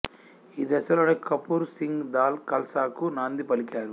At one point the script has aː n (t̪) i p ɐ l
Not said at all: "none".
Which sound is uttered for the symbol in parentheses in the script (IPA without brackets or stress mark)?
d̪